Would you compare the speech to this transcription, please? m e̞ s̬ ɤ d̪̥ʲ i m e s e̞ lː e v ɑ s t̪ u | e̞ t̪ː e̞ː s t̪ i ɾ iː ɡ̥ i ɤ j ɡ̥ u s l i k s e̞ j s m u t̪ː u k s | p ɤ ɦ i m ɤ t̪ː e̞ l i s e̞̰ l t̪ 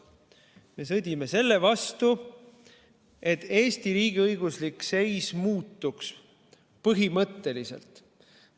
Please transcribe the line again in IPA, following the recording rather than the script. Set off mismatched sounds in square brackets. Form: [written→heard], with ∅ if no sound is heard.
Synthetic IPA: m e̞ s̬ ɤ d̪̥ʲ i m e s e̞ lː e v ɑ s t̪ u | e̞ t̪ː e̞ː s t̪ i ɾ iː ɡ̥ i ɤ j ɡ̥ u s l i k s e̞ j s m [u→uː] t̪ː u k s | p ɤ ɦ i m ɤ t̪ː e̞ l i s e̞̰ l t̪

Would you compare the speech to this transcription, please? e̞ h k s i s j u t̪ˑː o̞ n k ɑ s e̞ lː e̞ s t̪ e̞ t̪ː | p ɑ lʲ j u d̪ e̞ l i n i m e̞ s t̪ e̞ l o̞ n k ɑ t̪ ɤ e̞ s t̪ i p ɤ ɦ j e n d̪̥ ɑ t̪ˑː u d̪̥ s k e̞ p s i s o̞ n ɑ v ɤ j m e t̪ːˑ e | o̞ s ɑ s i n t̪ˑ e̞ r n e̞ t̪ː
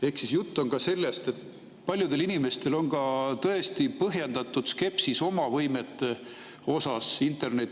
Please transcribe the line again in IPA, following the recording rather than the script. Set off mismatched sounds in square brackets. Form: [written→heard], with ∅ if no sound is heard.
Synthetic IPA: e̞ h k s i s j u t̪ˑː o̞ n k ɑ s e̞ lː e̞ s t̪ e̞ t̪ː | p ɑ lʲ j u d̪ e̞ l i n i m e̞ s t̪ e̞ l o̞ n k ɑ t̪ ɤ e̞ s t̪ i p ɤ ɦ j e n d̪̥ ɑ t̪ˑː u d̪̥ s k e̞ p s i s o̞ [n→m] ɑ v ɤ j m e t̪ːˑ e | o̞ s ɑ s i n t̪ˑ e̞ r n e̞ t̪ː

